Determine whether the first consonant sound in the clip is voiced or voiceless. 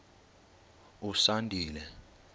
voiceless